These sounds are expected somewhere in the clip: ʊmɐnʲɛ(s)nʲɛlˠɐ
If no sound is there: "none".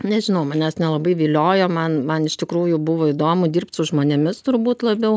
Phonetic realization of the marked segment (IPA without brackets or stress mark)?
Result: s